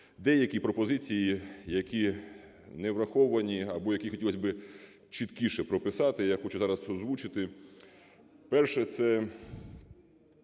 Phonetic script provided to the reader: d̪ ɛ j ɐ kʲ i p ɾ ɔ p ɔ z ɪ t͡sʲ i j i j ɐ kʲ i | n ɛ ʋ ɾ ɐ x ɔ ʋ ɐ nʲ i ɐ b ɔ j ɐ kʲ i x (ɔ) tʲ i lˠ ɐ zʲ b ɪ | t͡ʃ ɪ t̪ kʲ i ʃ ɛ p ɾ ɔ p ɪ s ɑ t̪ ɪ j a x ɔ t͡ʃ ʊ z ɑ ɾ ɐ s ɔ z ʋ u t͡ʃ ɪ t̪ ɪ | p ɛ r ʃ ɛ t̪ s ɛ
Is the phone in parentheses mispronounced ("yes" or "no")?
no